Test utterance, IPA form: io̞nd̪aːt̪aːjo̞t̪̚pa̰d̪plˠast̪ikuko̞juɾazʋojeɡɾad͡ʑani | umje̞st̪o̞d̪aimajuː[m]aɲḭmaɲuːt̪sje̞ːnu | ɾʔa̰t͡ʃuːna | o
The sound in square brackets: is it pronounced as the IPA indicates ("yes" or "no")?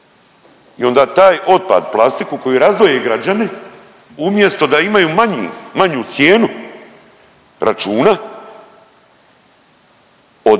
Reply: yes